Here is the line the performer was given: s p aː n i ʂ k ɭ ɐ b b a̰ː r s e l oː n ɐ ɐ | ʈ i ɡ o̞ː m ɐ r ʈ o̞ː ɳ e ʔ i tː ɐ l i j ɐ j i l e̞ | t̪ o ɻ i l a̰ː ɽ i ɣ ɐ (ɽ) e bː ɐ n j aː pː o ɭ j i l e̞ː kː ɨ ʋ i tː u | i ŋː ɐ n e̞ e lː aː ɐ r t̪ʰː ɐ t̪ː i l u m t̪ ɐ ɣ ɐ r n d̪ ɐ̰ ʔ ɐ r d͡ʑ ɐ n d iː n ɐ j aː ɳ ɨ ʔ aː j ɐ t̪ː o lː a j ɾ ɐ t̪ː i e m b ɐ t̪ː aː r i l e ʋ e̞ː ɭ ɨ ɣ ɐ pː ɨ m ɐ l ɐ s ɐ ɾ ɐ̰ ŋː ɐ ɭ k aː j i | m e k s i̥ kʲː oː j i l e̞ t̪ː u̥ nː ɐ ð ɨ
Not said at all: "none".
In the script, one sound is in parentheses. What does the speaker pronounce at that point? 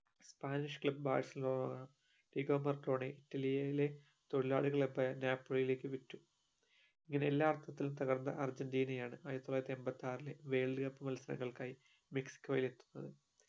ɭ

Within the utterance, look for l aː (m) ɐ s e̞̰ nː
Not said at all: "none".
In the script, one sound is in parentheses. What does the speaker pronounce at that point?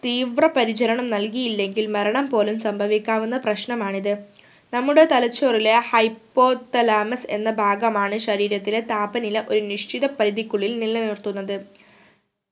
m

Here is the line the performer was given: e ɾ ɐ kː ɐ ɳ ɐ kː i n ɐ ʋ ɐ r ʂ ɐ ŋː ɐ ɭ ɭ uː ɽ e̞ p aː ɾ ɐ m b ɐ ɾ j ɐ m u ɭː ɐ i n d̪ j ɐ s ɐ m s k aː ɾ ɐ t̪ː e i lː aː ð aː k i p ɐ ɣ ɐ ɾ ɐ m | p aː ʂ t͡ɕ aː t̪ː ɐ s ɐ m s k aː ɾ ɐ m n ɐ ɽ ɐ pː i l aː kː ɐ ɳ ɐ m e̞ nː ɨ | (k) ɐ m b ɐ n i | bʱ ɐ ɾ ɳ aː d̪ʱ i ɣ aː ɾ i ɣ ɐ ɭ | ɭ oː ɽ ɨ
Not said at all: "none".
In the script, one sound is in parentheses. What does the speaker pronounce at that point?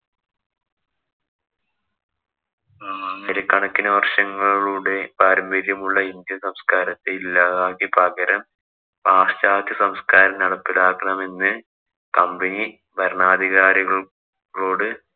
k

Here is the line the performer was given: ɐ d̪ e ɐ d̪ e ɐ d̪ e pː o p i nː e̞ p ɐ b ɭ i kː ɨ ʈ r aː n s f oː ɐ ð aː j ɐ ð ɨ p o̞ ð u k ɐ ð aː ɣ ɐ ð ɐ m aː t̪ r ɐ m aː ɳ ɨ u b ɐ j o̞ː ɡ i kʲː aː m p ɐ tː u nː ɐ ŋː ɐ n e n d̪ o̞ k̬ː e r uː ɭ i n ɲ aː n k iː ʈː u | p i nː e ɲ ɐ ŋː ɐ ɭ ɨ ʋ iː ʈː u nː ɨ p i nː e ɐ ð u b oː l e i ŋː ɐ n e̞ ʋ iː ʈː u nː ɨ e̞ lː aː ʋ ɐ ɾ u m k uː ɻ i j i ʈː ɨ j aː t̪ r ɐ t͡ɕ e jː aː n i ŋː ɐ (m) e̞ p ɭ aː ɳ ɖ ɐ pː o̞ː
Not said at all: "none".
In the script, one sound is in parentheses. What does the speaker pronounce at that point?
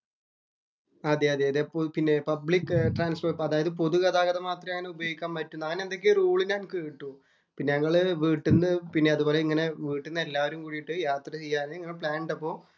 n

